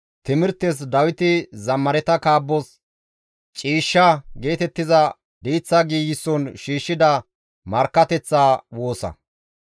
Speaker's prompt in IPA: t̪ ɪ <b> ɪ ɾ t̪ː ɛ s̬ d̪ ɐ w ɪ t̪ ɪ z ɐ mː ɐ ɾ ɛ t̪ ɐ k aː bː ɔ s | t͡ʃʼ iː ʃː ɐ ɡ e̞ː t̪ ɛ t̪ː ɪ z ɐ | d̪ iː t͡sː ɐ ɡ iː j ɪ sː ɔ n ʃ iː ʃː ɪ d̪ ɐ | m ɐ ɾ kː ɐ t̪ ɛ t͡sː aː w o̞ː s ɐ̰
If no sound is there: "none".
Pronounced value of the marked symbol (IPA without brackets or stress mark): m